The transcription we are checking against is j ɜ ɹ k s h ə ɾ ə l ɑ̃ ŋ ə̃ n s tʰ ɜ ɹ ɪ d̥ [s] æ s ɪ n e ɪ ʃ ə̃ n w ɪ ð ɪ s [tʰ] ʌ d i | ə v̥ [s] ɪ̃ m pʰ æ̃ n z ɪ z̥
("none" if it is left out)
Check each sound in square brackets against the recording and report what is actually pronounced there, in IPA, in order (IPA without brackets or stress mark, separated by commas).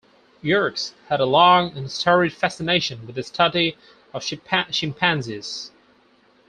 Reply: f, tʰ, ʃ